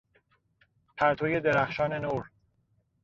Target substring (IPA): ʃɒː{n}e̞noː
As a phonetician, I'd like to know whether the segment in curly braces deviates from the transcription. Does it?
no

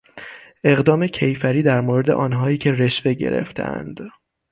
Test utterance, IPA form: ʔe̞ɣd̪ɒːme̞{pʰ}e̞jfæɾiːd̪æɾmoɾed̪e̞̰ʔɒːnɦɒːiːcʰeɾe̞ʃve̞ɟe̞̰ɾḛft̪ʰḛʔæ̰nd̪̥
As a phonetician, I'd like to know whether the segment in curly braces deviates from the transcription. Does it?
yes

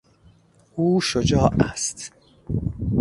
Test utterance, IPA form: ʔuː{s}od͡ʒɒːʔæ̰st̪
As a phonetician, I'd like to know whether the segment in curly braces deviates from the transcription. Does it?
yes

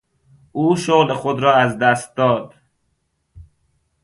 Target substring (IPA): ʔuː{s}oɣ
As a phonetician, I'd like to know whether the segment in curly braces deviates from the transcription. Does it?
yes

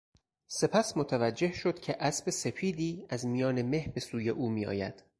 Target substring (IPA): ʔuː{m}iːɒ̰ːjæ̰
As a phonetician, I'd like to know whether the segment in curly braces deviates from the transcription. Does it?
no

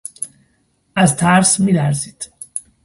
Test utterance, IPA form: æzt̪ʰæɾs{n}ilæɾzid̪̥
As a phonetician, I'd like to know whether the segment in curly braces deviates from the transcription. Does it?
yes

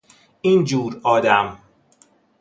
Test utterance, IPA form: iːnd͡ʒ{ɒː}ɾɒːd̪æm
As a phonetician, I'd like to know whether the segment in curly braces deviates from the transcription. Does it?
yes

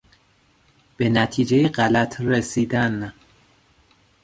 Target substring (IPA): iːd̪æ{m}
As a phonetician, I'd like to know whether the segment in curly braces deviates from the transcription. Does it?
yes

